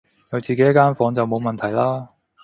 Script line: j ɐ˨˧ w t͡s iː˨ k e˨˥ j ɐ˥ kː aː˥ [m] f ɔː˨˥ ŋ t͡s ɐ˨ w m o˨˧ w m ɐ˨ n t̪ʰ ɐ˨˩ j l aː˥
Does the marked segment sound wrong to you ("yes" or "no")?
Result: yes